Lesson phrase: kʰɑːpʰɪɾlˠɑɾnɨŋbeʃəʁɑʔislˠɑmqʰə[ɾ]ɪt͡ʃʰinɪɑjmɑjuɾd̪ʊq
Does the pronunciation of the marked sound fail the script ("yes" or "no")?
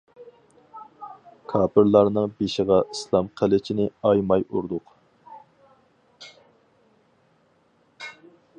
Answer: yes